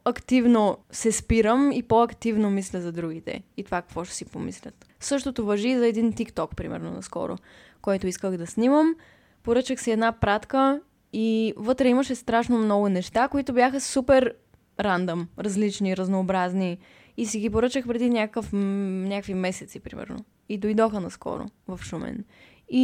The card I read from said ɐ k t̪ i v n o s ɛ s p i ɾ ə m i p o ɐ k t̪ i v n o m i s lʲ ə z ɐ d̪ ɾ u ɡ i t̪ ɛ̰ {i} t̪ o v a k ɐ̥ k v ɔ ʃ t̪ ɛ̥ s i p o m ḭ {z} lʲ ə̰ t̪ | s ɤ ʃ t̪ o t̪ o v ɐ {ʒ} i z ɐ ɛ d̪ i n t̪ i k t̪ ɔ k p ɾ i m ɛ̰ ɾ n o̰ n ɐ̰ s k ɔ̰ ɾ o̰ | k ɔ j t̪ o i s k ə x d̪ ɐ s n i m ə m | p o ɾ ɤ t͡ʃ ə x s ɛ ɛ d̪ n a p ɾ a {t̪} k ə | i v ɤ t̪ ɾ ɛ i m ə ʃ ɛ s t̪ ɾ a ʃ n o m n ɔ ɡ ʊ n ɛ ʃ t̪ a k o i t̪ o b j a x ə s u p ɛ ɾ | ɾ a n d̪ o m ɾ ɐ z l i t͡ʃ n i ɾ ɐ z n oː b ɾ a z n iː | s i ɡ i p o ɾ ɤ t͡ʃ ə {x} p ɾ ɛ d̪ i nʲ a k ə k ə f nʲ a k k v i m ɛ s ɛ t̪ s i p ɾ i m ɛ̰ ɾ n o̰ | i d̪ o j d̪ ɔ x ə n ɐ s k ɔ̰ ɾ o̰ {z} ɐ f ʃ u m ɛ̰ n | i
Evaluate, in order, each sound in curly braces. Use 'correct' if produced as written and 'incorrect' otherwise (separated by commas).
correct, incorrect, correct, correct, correct, incorrect